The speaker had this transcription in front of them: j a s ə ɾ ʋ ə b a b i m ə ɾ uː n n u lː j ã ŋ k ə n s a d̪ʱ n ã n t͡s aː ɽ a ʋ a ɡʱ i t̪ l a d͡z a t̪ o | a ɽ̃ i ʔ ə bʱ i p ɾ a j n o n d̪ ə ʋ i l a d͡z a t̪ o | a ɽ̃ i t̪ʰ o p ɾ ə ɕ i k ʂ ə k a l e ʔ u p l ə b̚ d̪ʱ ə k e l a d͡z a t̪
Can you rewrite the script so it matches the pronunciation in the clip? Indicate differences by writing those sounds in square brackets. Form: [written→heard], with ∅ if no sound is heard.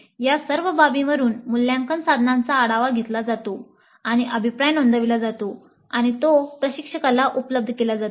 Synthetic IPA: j a s ə ɾ ʋ ə b a b i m ə ɾ uː n [n→m] u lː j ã ŋ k ə n s a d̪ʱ n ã n t͡s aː ɽ a ʋ a ɡʱ [i→e] t̪ l a d͡z a t̪ o | a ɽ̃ i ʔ ə bʱ i p ɾ a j n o n d̪ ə ʋ i l a d͡z a t̪ o | a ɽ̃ i [t̪ʰ→t̪] o p ɾ ə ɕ i k ʂ ə k a l [e→a] ʔ u p l ə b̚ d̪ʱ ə k e l a d͡z a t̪